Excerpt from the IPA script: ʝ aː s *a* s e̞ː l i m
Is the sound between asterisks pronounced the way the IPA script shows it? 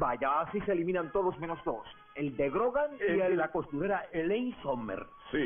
no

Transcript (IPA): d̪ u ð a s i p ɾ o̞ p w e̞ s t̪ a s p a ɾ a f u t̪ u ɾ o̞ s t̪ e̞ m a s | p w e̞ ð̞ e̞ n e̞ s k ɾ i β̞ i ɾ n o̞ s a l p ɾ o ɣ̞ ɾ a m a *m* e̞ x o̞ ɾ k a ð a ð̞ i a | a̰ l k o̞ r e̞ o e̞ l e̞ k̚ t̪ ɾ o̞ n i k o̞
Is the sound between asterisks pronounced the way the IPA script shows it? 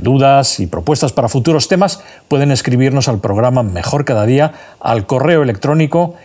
yes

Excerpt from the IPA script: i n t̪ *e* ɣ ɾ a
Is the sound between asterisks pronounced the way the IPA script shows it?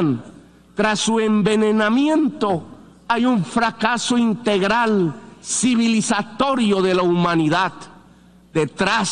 yes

